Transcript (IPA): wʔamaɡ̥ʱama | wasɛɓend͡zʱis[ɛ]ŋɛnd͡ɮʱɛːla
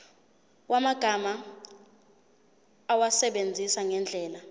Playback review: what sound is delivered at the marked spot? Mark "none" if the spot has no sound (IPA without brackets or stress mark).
a